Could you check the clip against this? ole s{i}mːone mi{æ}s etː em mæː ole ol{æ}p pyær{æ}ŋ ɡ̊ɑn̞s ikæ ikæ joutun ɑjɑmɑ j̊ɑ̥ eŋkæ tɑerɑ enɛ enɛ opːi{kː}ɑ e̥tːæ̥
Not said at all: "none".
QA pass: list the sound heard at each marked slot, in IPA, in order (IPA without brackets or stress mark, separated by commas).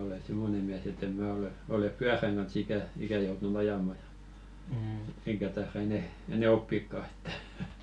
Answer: i, æ, e, æ, kː